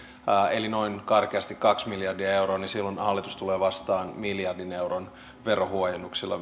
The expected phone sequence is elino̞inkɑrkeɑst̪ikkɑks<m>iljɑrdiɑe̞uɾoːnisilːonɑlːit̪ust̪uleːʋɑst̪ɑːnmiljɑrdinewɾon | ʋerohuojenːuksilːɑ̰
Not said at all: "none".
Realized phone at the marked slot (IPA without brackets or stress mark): m